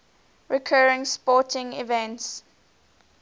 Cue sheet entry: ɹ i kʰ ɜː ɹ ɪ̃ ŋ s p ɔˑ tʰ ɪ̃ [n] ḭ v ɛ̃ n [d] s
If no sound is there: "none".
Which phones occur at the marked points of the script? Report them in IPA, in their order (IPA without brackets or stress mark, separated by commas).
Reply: ŋ, t